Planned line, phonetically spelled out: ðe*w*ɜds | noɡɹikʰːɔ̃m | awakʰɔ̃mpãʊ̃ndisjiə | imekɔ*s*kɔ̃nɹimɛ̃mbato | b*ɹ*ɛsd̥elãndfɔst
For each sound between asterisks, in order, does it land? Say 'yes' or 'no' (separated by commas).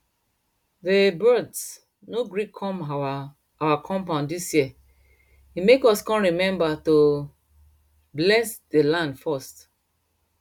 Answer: no, yes, no